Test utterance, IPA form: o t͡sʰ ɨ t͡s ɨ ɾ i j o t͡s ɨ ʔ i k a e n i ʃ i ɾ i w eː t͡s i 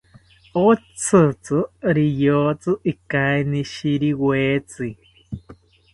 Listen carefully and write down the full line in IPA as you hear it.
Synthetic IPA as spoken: o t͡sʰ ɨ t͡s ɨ ɾ i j o t͡s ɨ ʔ i k a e n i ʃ i ɾ i w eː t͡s i